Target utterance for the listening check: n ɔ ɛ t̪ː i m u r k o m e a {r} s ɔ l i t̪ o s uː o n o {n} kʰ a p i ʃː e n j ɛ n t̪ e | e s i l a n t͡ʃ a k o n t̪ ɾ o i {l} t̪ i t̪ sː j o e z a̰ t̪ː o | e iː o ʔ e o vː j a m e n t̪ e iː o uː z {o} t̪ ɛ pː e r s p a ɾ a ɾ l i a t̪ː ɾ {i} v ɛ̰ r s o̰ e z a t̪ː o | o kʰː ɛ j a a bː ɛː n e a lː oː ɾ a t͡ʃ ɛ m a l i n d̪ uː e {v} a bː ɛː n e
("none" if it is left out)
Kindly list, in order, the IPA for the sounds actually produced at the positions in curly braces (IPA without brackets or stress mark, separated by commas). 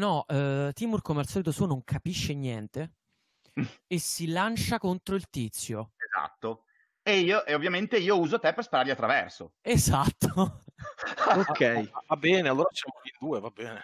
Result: l, ŋ, l, o, a, v